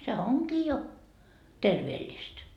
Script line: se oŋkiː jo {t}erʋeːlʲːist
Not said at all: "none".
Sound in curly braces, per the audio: t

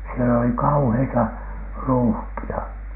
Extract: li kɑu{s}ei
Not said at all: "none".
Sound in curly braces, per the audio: h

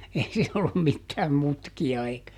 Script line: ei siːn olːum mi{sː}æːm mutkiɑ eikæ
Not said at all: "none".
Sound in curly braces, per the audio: tː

